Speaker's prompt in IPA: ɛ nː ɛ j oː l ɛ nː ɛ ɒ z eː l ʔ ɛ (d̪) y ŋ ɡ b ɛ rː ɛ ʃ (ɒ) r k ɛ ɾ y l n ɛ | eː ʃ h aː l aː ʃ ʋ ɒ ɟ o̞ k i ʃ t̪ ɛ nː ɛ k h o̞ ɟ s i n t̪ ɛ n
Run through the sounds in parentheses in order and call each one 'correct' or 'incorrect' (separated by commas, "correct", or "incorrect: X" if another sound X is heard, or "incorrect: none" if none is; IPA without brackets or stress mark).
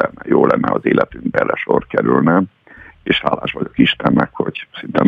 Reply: incorrect: t̪, incorrect: o